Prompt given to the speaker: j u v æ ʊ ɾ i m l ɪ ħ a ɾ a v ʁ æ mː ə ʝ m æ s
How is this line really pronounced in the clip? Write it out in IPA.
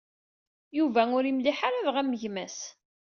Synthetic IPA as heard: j u v æ ʊ ɾ i m l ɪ ħ a ɾ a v ʁ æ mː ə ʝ m æ s